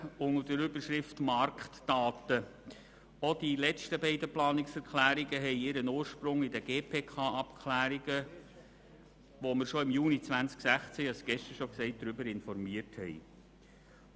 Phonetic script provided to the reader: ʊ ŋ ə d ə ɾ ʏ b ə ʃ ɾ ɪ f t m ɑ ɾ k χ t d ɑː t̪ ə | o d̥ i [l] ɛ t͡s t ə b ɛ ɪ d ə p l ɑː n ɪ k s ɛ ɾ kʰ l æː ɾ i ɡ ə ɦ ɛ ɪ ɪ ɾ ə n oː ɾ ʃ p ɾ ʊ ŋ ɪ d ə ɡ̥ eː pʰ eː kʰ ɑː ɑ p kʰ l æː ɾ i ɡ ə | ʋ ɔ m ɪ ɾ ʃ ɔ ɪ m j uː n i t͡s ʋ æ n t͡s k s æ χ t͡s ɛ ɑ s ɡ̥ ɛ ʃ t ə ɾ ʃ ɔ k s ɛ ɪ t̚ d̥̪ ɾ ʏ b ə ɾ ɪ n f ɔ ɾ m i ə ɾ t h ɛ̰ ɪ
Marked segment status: correct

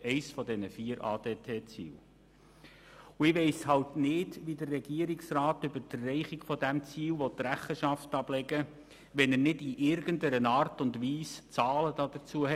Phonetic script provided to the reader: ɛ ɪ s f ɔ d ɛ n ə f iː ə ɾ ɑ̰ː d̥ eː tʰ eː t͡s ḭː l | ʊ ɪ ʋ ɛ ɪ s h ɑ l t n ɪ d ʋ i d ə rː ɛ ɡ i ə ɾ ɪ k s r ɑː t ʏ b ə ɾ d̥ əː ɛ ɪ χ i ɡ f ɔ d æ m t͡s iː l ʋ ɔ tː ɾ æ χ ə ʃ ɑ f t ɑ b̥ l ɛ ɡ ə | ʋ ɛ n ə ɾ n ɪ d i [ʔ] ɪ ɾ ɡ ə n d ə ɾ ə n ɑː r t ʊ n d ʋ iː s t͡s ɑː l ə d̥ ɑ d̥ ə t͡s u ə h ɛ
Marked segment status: correct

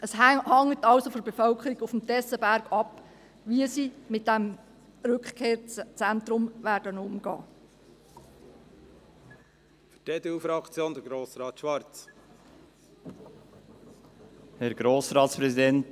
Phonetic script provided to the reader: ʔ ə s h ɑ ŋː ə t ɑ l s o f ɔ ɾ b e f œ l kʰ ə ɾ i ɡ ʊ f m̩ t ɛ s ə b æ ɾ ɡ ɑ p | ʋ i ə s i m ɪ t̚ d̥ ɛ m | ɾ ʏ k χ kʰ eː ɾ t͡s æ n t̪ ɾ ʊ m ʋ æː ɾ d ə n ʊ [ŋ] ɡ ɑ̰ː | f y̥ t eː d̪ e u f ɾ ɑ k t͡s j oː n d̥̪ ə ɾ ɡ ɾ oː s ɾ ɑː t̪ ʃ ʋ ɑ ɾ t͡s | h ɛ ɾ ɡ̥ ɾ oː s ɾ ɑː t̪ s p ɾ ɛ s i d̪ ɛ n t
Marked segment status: incorrect: m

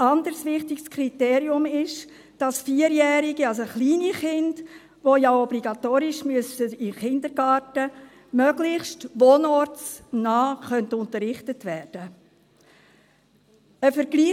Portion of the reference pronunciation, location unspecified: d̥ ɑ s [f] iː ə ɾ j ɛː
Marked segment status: correct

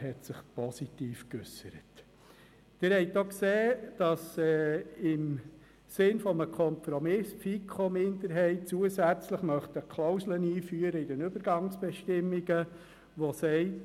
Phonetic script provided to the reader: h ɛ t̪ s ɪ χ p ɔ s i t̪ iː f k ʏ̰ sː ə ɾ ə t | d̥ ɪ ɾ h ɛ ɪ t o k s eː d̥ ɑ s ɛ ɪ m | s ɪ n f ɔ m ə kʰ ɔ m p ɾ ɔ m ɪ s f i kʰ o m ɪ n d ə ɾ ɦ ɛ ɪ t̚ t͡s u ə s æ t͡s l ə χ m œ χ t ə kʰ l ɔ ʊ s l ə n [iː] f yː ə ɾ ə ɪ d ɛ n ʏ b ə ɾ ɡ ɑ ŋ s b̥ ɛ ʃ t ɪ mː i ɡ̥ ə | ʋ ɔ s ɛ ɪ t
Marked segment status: correct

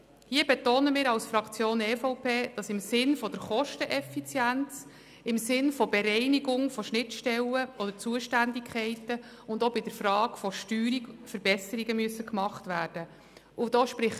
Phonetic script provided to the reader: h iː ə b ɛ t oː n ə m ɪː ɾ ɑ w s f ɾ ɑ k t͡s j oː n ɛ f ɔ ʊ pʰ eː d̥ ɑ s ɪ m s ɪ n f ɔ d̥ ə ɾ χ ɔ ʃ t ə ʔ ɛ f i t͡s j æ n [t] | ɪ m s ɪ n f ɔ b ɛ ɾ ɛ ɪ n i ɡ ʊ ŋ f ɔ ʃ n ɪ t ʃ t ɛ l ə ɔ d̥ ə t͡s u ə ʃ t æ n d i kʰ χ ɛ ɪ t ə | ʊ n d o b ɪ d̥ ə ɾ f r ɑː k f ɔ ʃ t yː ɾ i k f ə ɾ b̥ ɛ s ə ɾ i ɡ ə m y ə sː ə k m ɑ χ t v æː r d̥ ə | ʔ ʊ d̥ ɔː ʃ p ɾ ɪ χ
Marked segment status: incorrect: t͡s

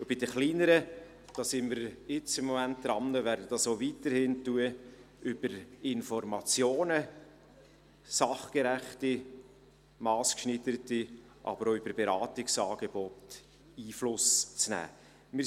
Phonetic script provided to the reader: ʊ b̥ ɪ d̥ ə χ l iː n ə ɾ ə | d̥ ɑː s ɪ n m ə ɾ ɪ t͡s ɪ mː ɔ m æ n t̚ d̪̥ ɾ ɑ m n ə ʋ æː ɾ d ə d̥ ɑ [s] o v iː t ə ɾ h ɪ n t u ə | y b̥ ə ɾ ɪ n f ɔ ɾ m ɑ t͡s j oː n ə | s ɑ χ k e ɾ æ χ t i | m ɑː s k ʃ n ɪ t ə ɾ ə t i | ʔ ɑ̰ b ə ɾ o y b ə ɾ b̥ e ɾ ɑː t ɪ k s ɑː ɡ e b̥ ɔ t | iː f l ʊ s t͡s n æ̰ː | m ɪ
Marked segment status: correct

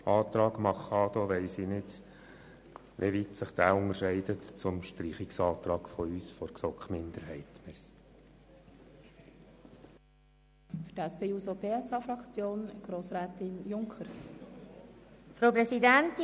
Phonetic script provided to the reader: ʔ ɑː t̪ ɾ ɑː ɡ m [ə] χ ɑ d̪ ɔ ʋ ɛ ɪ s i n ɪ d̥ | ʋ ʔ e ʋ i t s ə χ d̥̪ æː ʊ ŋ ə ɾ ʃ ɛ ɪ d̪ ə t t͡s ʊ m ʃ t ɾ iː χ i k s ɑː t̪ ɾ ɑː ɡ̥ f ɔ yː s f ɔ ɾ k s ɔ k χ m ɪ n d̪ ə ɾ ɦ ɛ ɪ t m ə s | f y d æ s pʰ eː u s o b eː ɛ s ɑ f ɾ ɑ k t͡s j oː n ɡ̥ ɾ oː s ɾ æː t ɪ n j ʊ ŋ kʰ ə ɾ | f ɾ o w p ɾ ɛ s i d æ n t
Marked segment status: incorrect: ɑ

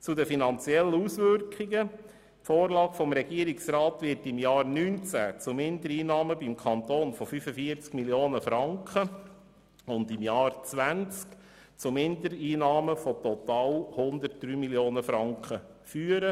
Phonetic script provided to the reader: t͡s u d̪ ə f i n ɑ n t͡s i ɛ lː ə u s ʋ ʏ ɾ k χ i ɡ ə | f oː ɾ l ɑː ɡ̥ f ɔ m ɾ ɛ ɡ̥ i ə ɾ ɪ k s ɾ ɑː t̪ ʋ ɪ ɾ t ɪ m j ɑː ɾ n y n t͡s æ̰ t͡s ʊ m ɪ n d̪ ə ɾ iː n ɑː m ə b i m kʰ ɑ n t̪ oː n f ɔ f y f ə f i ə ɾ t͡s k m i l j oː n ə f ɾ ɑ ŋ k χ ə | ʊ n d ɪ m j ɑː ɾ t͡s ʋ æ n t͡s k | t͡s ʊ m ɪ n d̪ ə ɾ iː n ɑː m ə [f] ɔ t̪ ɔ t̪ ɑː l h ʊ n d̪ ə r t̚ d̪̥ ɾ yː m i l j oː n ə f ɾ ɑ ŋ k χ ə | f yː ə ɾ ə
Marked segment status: correct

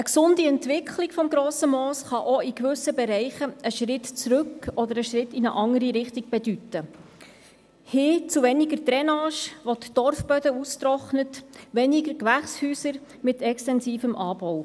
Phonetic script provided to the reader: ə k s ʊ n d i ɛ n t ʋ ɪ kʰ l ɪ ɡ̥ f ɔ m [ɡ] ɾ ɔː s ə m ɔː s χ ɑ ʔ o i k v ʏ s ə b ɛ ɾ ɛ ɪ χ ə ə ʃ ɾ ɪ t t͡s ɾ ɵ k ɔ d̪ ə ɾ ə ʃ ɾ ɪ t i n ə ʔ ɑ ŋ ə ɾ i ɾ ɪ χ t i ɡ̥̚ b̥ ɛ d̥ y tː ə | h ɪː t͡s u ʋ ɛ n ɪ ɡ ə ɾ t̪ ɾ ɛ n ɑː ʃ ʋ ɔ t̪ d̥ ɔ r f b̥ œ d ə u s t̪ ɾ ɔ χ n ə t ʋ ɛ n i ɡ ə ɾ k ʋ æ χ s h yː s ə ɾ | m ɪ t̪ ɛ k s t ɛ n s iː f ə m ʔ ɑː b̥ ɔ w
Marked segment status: correct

